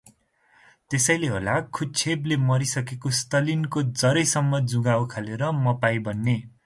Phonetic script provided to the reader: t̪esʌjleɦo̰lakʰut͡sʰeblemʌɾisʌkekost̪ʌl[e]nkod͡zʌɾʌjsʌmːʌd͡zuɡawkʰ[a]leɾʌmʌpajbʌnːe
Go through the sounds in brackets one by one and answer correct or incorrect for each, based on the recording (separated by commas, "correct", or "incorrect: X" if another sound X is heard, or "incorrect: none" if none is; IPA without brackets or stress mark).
incorrect: i, correct